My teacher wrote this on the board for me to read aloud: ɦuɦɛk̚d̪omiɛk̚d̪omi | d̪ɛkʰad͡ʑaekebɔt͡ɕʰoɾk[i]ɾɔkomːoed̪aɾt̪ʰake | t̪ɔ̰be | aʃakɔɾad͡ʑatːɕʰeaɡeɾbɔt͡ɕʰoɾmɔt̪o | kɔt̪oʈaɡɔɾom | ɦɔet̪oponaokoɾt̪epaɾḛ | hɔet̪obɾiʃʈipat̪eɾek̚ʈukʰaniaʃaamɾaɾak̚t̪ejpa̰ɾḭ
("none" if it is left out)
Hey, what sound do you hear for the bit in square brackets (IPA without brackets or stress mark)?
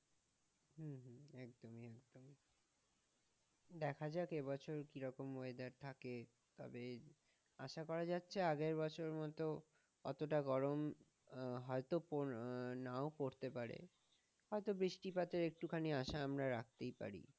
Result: i